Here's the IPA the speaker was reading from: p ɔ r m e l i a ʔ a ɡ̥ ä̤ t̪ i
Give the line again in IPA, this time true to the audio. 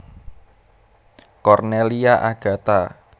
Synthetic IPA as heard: k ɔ r n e l i a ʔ a ɡ̥ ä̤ t̪ a